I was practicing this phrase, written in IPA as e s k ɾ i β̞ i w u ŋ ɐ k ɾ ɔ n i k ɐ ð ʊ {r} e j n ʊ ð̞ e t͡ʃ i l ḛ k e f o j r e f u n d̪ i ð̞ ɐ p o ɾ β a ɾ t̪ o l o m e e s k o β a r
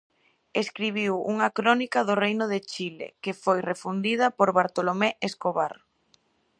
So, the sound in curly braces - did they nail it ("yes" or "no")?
yes